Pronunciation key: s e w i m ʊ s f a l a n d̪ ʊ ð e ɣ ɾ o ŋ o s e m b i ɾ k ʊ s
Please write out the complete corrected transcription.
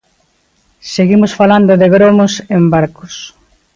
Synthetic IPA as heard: s e ɣ i m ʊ s f a l a n d̪ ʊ ð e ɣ ɾ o m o s e m b a ɾ k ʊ s